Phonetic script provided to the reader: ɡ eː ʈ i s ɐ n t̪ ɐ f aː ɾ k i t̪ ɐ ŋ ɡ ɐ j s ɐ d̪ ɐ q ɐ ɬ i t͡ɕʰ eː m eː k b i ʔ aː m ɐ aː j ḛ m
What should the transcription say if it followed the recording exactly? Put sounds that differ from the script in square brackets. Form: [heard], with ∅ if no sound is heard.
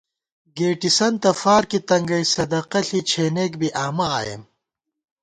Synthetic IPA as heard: ɡ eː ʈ i s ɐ n t̪ ɐ f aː ɾ k i t̪ ɐ ŋ ɡ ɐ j s ɐ d̪ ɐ q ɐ ɬ i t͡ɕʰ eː [n] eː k b i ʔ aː m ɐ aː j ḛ m

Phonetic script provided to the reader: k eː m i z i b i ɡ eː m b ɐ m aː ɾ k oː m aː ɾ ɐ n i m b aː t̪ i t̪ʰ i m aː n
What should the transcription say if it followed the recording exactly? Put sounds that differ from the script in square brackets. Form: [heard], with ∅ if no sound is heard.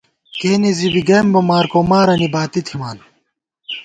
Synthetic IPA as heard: k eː [n] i z i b i ɡ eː m b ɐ m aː ɾ k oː m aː ɾ ɐ n i [∅] b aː t̪ i t̪ʰ i m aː n

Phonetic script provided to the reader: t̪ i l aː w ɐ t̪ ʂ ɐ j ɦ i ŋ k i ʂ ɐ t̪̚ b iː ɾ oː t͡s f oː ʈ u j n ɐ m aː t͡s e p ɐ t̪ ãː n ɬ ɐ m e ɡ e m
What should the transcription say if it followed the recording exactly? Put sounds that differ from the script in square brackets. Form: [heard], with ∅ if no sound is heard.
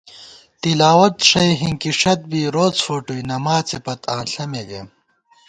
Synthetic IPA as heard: t̪ i l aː w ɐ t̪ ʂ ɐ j ɦ i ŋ k i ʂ ɐ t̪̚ b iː ɾ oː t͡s f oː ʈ u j n ɐ m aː t͡s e p ɐ t̪ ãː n ɬ ɐ m e ɡ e m

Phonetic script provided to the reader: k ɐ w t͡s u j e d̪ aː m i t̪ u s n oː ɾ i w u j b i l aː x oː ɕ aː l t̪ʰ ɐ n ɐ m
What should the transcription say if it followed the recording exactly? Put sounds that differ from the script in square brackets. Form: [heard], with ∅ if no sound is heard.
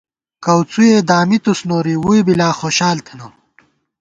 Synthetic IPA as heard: k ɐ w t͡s u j e d̪ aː m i t̪ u s n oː ɾ i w u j b i l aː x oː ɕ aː l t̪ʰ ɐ n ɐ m

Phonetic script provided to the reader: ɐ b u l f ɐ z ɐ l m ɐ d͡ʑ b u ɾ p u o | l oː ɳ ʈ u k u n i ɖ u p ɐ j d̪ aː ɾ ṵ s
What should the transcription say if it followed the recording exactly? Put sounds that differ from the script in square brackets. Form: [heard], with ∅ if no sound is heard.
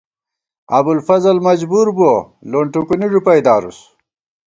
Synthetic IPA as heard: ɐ b u l f ɐ z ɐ l m ɐ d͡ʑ b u ɾ [b] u o | l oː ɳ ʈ u k u n i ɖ u p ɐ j d̪ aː ɾ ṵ s

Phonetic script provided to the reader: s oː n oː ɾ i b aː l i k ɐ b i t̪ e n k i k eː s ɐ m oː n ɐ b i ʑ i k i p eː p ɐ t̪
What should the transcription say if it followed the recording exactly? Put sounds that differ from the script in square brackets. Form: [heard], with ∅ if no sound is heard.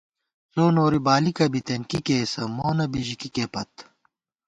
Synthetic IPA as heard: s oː n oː ɾ i b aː l i k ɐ b i t̪ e n k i k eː s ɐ m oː n ɐ b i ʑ i k i [k] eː p ɐ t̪

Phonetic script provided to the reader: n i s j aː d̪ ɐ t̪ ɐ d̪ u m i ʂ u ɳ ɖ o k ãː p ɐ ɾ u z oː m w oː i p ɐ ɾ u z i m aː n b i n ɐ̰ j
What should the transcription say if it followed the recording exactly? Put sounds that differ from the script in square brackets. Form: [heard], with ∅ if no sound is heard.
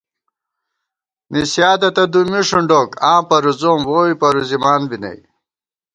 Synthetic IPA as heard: n i s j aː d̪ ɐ t̪ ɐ d̪ u m i ʂ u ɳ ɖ o k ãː p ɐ ɾ u z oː m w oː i p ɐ ɾ u z i m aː n b i n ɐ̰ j

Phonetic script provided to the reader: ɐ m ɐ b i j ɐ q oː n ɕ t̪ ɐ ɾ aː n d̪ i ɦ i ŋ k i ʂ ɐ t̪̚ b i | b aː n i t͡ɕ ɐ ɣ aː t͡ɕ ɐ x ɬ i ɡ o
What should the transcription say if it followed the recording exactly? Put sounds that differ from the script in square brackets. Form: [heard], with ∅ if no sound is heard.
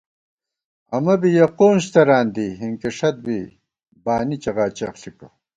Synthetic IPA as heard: ɐ m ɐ b i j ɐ q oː n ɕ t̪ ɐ ɾ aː n d̪ i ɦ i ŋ k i ʂ ɐ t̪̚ b i | b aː n i t͡ɕ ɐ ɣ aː t͡ɕ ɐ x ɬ i [k] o

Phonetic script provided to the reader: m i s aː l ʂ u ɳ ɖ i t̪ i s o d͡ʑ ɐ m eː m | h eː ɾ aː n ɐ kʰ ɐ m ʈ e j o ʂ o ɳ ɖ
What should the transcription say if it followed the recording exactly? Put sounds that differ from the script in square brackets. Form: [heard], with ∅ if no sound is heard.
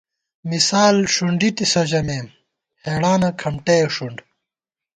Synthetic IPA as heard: m i s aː l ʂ u ɳ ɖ i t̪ i s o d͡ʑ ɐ m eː m | h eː [ɽ] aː n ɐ kʰ ɐ m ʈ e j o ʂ [u] ɳ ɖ

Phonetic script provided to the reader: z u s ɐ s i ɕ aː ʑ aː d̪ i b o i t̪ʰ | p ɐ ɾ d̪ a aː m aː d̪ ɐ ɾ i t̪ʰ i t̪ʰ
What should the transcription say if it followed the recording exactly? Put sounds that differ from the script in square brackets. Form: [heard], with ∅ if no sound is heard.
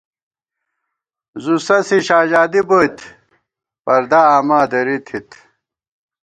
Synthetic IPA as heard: z u s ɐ s i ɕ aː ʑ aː d̪ i b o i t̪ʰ | p ɐ ɾ d̪ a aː m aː d̪ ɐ ɾ i t̪ʰ i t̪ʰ

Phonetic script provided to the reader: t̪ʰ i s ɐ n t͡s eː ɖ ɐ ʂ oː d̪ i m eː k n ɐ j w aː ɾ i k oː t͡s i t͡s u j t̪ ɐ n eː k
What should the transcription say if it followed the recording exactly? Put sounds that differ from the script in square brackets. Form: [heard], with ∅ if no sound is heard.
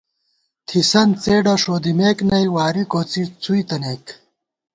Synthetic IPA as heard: t̪ʰ i s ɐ n t͡s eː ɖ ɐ ʂ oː d̪ i m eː k n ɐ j w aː ɾ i k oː t͡s i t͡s u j t̪ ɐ n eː k

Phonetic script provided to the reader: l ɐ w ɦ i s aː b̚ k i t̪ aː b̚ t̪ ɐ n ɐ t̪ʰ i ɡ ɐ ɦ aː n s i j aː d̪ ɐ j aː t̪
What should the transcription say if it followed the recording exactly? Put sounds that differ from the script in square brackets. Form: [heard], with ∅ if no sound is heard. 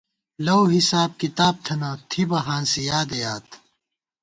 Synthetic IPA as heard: l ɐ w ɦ i s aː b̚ k i t̪ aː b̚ [t̪ʰ] ɐ n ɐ t̪ʰ i [b] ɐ ɦ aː n s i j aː d̪ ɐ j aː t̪

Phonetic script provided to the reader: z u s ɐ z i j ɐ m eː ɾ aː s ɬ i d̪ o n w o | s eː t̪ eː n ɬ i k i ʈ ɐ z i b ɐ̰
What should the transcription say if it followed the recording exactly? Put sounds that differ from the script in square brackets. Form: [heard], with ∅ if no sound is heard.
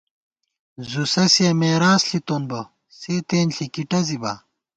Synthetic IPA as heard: z u s ɐ [s] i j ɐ m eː ɾ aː s ɬ i [t̪] o n [b] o | s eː t̪ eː n ɬ i k i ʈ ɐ z i b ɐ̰

